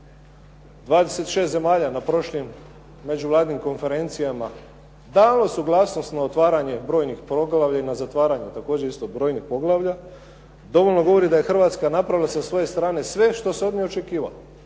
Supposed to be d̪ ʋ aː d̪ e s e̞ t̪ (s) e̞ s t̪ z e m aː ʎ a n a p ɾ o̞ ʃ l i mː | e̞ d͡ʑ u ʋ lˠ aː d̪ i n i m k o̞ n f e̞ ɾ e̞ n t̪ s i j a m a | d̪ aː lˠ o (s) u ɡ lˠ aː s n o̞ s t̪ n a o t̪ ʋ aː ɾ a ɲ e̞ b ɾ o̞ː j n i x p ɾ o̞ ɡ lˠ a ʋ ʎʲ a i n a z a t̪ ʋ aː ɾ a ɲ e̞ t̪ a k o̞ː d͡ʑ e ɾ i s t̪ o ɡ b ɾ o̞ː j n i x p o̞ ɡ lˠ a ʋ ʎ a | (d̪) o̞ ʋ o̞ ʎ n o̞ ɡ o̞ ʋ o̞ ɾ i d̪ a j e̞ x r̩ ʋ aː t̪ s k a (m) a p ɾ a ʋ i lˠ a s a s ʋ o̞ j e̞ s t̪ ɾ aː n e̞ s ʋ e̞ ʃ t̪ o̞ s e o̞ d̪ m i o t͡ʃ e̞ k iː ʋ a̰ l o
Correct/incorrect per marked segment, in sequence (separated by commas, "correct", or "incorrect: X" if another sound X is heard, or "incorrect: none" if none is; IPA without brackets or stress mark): incorrect: ʃ, correct, correct, incorrect: n